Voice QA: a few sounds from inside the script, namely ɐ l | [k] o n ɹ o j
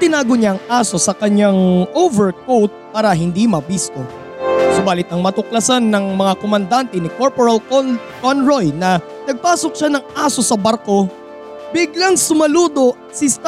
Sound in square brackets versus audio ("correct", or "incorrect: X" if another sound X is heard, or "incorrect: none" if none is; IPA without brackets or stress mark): correct